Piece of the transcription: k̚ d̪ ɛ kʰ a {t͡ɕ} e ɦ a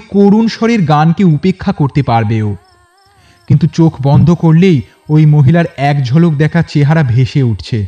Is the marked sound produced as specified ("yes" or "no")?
yes